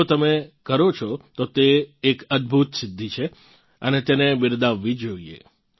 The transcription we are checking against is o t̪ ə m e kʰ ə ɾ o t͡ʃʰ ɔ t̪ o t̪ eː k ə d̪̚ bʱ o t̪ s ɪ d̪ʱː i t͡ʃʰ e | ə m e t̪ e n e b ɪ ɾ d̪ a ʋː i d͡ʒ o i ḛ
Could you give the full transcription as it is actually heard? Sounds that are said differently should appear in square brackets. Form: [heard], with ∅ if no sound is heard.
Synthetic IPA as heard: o t̪ ə m e [k] ə ɾ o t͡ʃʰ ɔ t̪ o t̪ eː k ə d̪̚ bʱ [u] t̪ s ɪ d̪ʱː i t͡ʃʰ e | ə [n] e t̪ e n e b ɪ ɾ d̪ a ʋː i d͡ʒ o i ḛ